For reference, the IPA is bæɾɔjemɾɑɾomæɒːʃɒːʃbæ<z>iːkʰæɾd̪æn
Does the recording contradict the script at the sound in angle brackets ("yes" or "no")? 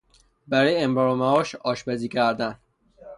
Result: no